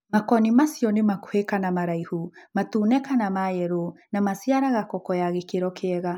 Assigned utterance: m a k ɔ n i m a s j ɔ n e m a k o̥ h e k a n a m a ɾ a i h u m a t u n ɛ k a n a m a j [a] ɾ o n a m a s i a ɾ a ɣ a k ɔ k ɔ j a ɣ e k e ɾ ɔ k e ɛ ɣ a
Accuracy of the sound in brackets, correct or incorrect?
incorrect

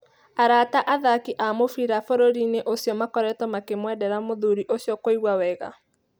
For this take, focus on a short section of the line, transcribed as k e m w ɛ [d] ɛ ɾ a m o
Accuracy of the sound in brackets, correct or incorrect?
correct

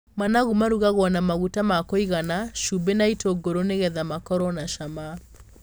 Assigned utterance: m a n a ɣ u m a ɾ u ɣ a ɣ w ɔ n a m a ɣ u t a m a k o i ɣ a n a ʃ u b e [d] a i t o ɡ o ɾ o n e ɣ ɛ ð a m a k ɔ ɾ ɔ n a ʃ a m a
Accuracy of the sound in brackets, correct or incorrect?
incorrect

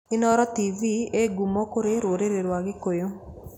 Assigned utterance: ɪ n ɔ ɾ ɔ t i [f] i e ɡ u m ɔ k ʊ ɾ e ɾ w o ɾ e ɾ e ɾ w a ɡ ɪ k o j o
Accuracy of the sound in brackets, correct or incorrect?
incorrect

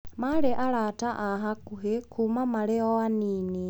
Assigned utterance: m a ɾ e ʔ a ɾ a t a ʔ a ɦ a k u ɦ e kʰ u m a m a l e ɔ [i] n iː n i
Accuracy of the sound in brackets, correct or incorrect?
incorrect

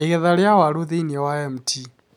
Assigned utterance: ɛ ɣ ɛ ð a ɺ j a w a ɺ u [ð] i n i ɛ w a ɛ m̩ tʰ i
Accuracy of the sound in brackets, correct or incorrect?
correct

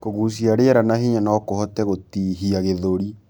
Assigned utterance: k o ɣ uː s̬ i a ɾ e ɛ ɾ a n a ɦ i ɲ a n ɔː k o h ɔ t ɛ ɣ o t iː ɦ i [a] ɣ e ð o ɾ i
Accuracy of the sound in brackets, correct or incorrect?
correct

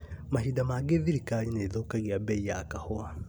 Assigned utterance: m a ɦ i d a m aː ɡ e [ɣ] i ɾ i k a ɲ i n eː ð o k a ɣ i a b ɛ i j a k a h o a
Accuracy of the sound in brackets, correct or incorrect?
incorrect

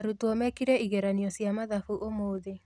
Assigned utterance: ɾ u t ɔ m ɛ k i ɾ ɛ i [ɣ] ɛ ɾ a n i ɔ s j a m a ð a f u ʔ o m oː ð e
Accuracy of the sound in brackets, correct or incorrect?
correct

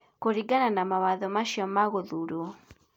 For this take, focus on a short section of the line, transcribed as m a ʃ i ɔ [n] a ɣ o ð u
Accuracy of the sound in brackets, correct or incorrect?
incorrect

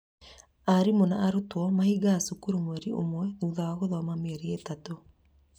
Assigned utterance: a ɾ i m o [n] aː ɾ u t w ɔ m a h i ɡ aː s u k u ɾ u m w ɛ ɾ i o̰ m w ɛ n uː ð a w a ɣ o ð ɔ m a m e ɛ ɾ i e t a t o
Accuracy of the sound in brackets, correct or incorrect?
correct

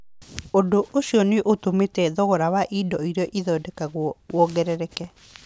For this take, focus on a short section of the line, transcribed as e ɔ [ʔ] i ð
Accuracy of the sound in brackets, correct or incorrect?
correct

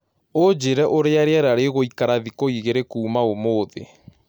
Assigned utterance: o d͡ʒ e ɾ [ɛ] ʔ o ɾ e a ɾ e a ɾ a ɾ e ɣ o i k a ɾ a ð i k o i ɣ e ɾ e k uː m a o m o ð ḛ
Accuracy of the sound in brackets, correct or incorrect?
correct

